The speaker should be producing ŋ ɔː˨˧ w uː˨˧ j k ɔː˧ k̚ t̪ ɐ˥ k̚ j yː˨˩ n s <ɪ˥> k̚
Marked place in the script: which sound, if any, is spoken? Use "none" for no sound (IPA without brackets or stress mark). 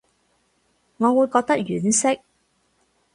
ɪ˥